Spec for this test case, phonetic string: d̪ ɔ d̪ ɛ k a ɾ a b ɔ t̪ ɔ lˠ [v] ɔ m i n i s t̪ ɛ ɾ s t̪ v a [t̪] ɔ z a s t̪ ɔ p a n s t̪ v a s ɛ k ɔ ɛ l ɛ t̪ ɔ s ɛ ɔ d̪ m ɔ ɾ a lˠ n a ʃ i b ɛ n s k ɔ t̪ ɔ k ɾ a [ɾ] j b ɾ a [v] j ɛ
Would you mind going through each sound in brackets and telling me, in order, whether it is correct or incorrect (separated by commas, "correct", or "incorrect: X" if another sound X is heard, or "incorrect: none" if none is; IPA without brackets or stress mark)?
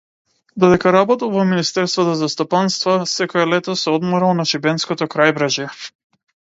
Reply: correct, correct, incorrect: none, incorrect: ʒ